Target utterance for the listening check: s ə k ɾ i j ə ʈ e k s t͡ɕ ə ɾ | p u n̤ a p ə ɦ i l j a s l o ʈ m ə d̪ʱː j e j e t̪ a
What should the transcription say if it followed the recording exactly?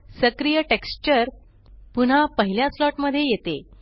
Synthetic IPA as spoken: s ə k ɾ i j ə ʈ e k s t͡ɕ ə ɾ | p u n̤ a p ə ɦ i l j a s l ɔ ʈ m ə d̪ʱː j e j e t̪ e